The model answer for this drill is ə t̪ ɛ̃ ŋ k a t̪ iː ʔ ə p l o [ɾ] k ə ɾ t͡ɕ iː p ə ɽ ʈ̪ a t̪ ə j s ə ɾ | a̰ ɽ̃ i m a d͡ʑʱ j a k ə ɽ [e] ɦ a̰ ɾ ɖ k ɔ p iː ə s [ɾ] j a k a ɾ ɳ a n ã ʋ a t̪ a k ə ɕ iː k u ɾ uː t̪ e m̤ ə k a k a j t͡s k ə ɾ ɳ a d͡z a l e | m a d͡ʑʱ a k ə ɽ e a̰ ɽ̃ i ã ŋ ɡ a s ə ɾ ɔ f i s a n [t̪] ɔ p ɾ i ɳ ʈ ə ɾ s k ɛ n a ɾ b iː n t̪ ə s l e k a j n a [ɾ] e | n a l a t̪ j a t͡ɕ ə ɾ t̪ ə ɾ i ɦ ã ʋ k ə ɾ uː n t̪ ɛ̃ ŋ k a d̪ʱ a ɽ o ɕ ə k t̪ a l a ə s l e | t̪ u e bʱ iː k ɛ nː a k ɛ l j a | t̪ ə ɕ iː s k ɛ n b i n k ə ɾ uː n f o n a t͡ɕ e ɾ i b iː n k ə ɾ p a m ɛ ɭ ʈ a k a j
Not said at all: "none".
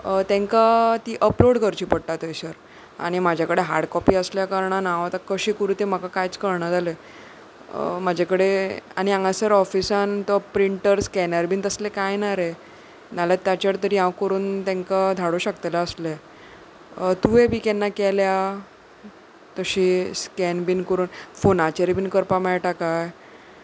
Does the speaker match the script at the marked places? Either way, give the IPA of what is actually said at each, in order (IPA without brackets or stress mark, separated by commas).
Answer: ɽ, e, l, t̪, ɾ